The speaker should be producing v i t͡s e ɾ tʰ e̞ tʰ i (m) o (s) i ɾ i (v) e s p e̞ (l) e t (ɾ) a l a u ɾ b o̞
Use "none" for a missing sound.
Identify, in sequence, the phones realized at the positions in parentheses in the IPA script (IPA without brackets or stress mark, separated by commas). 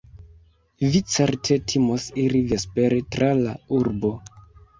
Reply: m, s, v, ɾ, ɾ